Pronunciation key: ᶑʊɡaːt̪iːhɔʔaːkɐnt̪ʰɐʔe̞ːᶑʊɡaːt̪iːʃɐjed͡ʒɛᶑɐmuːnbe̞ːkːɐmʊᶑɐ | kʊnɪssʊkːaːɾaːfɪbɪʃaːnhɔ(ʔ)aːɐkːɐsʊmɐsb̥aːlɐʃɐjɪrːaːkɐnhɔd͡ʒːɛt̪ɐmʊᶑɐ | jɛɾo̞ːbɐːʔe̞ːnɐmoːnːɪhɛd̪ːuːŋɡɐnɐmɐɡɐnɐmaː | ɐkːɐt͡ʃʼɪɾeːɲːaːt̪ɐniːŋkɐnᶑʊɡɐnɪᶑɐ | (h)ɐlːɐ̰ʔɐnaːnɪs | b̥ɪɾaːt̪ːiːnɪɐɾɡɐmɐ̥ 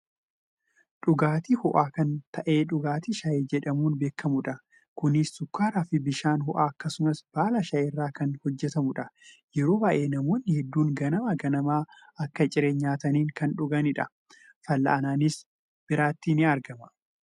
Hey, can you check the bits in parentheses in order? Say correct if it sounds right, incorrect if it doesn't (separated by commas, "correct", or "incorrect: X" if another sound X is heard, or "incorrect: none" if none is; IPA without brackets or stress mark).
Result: correct, incorrect: f